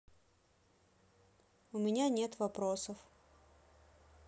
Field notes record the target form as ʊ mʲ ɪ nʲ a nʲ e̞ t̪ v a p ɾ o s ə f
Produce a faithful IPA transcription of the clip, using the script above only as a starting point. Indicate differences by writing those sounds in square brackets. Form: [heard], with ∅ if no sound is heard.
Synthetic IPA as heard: ʊ mʲ ɪ nʲ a nʲ e̞ t̪ v [ɐ] p ɾ o s ə f